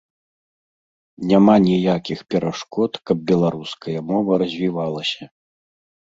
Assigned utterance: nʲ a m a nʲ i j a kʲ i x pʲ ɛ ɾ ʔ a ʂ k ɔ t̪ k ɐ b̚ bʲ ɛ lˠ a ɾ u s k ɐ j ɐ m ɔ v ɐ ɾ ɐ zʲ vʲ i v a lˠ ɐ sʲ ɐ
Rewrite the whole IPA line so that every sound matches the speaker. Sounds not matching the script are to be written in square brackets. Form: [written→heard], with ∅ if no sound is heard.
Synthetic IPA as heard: nʲ a m a nʲ i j a kʲ i x pʲ ɛ ɾ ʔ a ʂ k ɔ t̪ k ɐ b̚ bʲ ɛ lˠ a ɾ u s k ɐ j ɐ m ɔ v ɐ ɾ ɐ zʲ vʲ i v a lˠ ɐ sʲ ɐ